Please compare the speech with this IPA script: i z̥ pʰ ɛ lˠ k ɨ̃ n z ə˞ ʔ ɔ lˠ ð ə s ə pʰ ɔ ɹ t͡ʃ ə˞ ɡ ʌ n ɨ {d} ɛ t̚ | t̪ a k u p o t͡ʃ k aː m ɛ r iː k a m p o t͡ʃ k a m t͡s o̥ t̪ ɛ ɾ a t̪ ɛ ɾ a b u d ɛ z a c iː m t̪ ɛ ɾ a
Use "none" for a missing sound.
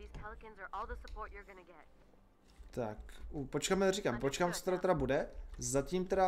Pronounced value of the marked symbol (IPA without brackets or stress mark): ɡ